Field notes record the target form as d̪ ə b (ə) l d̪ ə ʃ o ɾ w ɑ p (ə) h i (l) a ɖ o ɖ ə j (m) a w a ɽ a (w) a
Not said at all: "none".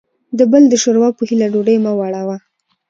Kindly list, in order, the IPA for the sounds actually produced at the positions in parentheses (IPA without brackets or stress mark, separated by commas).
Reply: ə, ə, l, m, w